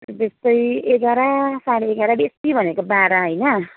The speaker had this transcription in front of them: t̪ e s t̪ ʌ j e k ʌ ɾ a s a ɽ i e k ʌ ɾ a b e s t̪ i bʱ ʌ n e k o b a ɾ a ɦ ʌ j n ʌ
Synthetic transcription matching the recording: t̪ e s t̪ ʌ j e k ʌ ɾ a s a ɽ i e k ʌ ɾ a b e s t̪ i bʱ ʌ n e k o b a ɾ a ɦ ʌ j n ʌ